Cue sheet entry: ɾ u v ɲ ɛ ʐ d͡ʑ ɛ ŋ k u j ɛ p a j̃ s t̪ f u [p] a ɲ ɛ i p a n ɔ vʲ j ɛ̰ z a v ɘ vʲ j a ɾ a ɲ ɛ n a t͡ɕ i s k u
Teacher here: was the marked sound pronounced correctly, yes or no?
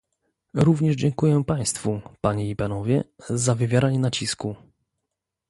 yes